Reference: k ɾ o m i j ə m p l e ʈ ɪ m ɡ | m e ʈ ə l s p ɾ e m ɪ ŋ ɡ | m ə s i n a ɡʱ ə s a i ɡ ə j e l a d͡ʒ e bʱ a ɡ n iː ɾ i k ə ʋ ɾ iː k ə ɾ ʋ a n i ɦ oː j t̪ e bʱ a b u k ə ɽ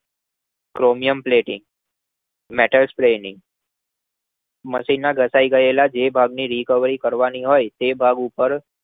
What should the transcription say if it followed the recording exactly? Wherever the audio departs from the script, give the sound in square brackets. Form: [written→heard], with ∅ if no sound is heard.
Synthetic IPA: k ɾ o m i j ə m p l e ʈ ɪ [m→ŋ] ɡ | m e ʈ ə l s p ɾ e [m→n] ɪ ŋ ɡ | m ə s i n a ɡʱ ə s a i ɡ ə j e l a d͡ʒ e bʱ a ɡ n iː ɾ i k ə ʋ ɾ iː k ə ɾ ʋ a n i ɦ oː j t̪ e bʱ a [b→ɡ] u [k→p] ə [ɽ→ɾ]

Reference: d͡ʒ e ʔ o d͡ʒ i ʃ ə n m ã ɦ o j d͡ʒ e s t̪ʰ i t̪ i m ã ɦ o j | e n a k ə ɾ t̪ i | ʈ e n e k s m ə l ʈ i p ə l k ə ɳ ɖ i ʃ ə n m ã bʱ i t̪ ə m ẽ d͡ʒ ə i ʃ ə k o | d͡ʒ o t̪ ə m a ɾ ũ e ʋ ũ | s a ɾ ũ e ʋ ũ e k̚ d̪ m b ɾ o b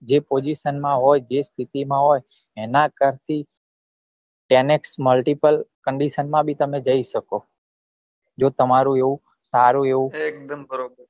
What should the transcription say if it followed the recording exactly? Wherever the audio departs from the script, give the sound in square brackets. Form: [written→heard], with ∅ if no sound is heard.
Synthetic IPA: d͡ʒ e [ʔ→p] o d͡ʒ i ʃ ə n m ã ɦ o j d͡ʒ e s t̪ʰ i t̪ i m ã ɦ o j | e n a k ə ɾ t̪ i | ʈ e n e k s m ə l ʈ i p ə l k ə ɳ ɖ i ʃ ə n m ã bʱ i t̪ ə m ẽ d͡ʒ ə i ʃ ə k o | d͡ʒ o t̪ ə m a ɾ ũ e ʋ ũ | s a ɾ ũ e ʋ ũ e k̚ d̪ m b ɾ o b

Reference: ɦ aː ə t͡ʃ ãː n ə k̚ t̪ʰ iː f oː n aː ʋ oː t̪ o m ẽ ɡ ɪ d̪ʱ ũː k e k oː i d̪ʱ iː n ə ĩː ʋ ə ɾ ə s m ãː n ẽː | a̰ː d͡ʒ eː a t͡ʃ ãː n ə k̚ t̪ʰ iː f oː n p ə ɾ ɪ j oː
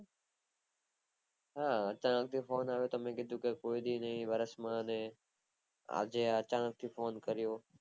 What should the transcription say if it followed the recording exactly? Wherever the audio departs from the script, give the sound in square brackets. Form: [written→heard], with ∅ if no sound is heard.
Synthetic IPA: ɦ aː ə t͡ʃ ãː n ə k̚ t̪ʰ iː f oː n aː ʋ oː t̪ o m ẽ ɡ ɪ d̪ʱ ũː k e k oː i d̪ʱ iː n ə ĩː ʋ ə ɾ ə s m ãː n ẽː | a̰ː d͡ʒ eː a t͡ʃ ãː n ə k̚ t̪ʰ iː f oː n [p→k] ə ɾ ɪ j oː

